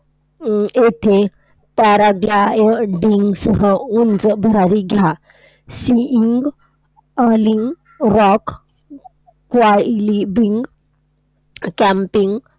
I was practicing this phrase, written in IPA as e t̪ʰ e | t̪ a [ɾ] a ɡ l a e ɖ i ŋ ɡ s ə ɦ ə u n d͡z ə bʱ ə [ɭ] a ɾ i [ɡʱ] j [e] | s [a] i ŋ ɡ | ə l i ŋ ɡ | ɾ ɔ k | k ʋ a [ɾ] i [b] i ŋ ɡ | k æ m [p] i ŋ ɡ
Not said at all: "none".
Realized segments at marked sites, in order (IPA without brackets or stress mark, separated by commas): ɾ, ɾ, ɡʱ, a, i, l, b, p